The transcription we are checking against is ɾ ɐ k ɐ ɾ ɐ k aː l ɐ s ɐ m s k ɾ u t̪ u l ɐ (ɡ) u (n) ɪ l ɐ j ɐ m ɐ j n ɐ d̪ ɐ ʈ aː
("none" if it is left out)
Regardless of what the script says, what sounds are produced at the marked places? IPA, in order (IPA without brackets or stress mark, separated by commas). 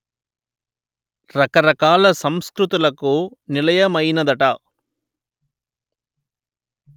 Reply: k, n